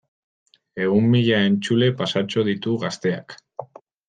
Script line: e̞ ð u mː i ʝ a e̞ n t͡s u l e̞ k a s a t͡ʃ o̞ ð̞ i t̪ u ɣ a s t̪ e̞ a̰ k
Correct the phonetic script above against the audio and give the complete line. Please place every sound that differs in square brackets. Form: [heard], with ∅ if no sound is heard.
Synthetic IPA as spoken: e̞ [ɣ] u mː i [ʎ] a e̞ n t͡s u l e̞ [p] a s a t͡ʃ o̞ ð̞ i t̪ u ɣ a s t̪ e̞ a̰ k

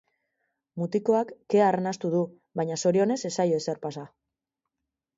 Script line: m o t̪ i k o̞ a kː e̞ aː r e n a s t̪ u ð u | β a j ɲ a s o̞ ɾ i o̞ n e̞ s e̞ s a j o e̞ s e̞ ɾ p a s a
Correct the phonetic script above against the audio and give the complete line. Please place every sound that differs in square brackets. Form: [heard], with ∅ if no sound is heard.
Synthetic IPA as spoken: m [u] t̪ i k o̞ a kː e̞ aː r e n a s t̪ u ð u | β a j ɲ a s o̞ ɾ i o̞ n e̞ s e̞ s a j o e̞ s e̞ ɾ p a s a

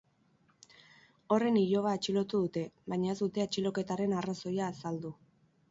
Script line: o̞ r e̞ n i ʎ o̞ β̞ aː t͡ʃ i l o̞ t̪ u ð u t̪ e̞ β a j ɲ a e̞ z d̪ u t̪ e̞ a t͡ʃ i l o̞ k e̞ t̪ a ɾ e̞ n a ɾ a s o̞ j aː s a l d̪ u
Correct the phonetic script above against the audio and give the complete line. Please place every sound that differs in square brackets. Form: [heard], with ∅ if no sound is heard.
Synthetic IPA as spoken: o̞ r e̞ n i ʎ o̞ β̞ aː t͡ʃ i l o̞ t̪ u ð u t̪ e̞ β a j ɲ a e̞ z d̪ u t̪ e̞ a t͡ʃ i l o̞ k e̞ t̪ a ɾ e̞ n a [r] a s o̞ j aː s a l d̪ u

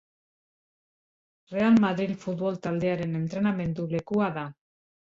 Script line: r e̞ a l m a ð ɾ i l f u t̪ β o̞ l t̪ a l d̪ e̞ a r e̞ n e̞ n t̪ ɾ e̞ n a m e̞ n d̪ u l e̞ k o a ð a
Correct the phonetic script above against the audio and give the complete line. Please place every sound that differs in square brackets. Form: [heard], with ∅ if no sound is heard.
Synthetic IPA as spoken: r e̞ a l m a ð ɾ i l f u t̪ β o̞ l t̪ a l d̪ e̞ a [ɾ] e̞ n e̞ n t̪ ɾ e̞ n a m e̞ n d̪ u l e̞ k [u] a ð a

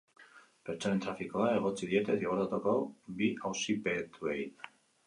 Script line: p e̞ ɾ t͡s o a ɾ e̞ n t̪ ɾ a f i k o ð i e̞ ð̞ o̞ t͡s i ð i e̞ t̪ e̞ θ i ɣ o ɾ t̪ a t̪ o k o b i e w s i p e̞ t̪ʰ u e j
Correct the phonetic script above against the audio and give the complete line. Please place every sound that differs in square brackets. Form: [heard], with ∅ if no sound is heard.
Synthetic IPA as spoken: p e̞ ɾ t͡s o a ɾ e̞ n t̪ ɾ a f i k o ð [a] e̞ [ɣ̞] o̞ t͡s i ð i e̞ t̪ e̞ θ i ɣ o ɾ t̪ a t̪ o k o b i [a] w s i p e̞ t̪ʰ u e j

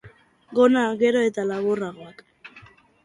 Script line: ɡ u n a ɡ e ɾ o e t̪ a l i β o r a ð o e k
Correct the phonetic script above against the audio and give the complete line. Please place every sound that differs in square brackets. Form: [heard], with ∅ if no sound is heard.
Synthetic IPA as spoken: ɡ [o] n a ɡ e ɾ o e t̪ a l [a] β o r a [ɣ] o [a] k

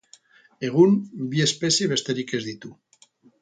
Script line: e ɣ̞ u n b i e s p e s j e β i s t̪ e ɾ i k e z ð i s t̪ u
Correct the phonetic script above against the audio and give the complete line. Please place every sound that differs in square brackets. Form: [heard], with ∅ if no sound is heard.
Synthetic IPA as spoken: e ɣ̞ u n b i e s p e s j e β [e] s t̪ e ɾ i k e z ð i [∅] t̪ u

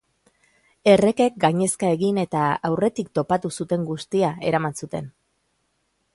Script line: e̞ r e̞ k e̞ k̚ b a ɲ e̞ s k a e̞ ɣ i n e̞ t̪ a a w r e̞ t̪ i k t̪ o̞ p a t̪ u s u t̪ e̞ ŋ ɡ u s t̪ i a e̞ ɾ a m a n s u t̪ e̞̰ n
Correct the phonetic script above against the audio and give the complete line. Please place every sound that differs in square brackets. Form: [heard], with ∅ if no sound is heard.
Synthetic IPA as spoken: e̞ r e̞ k e̞ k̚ [ɡ] a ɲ e̞ s k a e̞ ɣ i n e̞ t̪ a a w r e̞ t̪ i k t̪ o̞ p a t̪ u s u t̪ e̞ ŋ ɡ u s t̪ i a e̞ ɾ a m a n s u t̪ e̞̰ n

